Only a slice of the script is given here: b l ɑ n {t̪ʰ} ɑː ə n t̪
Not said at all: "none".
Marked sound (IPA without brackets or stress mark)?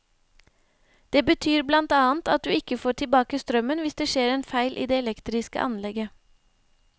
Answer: t̪